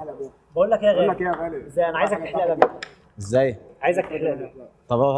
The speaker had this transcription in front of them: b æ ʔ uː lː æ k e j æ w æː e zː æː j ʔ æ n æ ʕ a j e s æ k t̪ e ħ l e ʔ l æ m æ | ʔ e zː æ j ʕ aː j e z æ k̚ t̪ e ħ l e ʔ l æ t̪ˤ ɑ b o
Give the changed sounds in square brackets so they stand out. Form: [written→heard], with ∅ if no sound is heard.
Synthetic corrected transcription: b æ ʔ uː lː æ k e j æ [w→ɣ] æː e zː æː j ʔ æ n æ ʕ a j e [s→z] æ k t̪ e ħ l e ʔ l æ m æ | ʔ e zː æ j ʕ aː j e z æ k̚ t̪ e ħ l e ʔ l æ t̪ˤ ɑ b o